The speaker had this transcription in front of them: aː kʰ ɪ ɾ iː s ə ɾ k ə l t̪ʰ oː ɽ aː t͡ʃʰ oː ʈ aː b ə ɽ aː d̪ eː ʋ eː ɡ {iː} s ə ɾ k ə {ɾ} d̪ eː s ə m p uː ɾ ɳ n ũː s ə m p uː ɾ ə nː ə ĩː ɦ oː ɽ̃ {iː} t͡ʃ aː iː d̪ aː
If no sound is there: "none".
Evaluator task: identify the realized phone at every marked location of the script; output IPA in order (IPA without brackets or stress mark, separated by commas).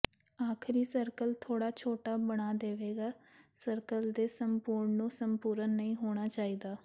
aː, l, aː